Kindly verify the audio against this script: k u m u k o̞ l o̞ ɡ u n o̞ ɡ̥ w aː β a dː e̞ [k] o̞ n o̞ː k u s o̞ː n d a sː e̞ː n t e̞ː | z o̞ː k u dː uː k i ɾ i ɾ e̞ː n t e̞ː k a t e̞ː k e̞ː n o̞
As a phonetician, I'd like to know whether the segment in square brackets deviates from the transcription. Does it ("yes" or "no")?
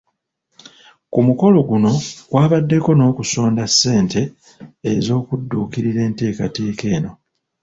no